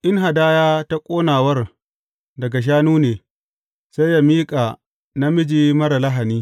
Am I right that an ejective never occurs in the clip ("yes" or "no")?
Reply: no